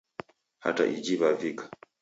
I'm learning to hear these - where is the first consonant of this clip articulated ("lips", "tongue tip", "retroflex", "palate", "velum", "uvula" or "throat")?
throat